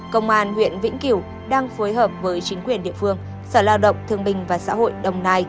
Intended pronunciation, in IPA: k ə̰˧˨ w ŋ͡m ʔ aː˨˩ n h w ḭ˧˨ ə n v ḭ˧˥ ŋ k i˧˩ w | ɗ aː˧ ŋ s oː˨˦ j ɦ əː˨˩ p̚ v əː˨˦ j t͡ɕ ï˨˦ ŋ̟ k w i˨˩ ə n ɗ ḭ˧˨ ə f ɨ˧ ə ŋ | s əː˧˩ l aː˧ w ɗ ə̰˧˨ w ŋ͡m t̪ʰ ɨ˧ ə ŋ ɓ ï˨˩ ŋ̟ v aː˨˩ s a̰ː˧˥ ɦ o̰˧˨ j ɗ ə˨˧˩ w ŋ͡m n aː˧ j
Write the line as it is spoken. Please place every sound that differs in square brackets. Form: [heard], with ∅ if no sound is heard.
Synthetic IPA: k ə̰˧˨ w ŋ͡m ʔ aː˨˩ n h w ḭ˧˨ ə n v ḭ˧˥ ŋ k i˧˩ w | ɗ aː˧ ŋ [f] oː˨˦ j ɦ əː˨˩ p̚ v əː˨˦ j t͡ɕ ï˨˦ ŋ̟ k w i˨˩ ə n ɗ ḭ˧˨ ə f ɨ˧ ə ŋ | s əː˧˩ l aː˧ w ɗ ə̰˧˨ w ŋ͡m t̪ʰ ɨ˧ ə ŋ ɓ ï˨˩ ŋ̟ v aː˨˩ s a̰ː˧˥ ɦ o̰˧˨ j ɗ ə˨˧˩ w ŋ͡m n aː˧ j